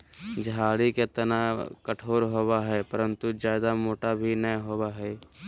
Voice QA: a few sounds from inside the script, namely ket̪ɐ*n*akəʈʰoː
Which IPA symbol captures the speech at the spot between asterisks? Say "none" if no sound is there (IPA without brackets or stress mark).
n